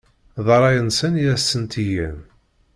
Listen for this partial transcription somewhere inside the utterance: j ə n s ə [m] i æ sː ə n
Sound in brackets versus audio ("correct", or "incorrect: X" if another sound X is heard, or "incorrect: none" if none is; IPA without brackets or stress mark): incorrect: n